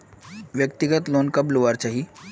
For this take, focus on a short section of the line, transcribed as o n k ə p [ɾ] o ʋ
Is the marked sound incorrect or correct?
incorrect